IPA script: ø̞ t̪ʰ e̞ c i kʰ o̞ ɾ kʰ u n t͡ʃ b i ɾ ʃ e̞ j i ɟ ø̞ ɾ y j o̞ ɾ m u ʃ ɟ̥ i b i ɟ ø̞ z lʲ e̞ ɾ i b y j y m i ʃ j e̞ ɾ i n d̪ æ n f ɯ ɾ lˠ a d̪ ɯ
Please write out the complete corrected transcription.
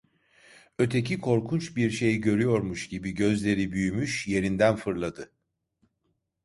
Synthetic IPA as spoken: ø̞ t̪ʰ e̞ c i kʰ o̞ ɾ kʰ u n t͡ʃ b i ɾ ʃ e̞ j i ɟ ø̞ ɾ y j o̞ ɾ m u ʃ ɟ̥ i b i ɟ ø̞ z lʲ e̞ ɾ i b y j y m y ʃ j e̞ ɾ i n d̪ æ n f ɯ ɾ lˠ a d̪ ɯ